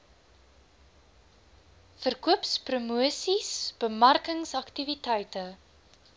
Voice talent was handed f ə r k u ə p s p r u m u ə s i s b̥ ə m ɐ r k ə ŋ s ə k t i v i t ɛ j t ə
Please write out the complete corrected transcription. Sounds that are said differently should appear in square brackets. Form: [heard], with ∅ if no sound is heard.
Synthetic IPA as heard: f ə r k u ə p s p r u m u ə s i s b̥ ə m ɐ r k ə ŋ s [ɐ] k t i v i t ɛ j t ə